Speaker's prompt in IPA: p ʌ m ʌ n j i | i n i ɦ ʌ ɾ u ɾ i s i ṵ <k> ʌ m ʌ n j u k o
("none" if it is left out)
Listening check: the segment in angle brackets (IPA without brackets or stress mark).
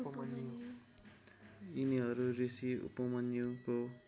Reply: p